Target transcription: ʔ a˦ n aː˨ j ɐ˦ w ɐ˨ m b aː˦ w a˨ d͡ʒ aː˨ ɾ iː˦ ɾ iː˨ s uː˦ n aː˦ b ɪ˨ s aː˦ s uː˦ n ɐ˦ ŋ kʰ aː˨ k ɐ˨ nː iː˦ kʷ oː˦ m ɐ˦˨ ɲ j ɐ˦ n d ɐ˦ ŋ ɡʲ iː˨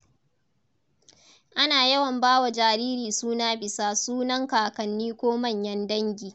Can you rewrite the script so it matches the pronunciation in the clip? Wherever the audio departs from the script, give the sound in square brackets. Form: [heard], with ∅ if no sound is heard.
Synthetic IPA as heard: ʔ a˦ n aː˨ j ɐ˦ w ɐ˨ m b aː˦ w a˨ d͡ʒ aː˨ ɾ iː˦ ɾ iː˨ s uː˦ n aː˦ b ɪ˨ s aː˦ s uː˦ n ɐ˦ ŋ [k] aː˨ k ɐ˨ nː iː˦ kʷ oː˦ m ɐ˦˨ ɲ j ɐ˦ n d ɐ˦ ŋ ɡʲ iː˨